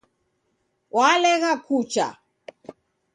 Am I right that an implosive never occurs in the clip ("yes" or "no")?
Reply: yes